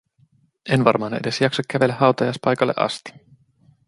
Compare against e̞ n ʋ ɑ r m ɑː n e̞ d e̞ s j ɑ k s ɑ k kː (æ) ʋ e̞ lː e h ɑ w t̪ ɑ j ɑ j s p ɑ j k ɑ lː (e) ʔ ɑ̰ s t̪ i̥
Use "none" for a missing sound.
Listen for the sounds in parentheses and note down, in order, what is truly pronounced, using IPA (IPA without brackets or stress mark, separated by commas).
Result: æ, e